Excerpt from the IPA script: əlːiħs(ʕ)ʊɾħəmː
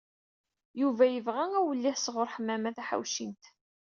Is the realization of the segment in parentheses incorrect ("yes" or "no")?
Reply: yes